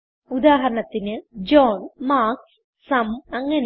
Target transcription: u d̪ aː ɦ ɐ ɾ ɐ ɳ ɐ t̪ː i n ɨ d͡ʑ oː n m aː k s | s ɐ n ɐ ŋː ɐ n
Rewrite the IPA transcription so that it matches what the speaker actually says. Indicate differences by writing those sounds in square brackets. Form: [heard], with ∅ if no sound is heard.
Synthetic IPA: u d̪ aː ɦ ɐ ɾ ɐ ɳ ɐ t̪ː i n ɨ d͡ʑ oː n m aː k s | s ɐ [m] ɐ ŋː ɐ n